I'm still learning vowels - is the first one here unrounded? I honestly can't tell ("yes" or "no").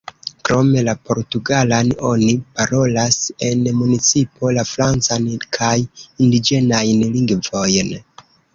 no